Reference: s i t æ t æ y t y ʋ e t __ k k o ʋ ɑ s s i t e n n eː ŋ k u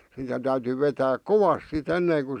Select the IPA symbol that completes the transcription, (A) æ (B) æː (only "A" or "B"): B